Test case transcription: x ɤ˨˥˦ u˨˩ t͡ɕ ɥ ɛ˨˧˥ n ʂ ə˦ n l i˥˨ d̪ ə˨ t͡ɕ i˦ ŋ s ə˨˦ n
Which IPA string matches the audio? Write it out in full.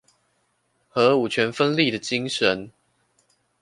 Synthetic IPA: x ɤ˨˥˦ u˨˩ t͡ɕʰ ɥ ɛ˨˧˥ n f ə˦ n l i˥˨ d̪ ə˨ t͡ɕ i˦ ŋ ʂ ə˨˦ n